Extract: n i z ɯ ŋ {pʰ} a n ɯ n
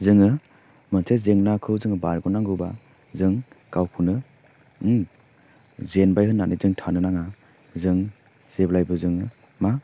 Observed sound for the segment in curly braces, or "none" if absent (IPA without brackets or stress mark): tʰ